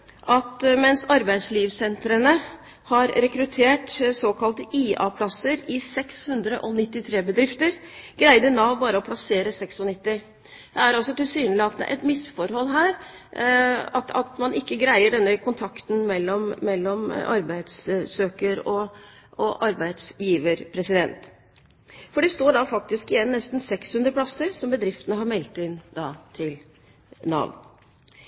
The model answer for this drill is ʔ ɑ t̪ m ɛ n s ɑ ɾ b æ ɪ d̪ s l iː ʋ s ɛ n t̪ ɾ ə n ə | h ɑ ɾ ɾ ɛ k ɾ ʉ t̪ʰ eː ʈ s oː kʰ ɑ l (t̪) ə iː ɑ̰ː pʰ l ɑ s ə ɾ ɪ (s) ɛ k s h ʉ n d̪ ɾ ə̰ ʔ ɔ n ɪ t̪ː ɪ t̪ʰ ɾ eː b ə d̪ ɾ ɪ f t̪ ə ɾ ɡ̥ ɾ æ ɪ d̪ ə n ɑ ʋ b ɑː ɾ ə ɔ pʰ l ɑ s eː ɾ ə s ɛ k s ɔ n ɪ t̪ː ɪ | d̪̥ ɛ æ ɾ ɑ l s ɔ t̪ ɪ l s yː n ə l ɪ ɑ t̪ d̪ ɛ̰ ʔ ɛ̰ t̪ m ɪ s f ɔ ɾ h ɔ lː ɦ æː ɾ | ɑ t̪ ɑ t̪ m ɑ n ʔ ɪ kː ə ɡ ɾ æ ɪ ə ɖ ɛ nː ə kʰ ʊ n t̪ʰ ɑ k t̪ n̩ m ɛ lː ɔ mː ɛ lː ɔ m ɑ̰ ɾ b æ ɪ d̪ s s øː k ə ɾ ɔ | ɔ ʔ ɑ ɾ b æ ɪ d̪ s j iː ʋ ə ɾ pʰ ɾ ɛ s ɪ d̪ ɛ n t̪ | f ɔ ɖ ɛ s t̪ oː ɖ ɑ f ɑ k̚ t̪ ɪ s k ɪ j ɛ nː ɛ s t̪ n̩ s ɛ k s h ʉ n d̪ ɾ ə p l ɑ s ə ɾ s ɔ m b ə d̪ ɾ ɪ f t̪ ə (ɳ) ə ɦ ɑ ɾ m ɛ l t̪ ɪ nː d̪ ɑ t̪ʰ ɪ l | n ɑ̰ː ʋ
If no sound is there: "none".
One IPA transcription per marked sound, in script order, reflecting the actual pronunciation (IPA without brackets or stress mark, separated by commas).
t̪, s, n